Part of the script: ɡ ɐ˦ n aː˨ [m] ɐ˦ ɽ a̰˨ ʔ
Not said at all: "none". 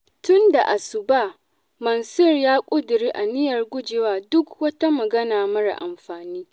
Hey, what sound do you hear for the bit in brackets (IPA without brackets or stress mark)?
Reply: m